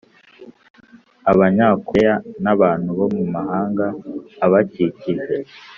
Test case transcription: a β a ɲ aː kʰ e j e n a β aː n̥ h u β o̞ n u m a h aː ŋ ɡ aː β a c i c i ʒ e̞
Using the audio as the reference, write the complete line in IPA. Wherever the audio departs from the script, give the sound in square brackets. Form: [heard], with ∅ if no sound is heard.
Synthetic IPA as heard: a β a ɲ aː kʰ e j [a] n a β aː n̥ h u β o̞ [m] u m a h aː ŋ ɡ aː β a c i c i ʒ e̞